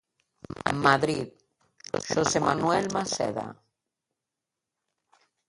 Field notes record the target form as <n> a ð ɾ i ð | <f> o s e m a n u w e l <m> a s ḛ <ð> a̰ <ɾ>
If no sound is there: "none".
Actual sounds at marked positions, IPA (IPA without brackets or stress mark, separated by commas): m, ʃ, m, ð, none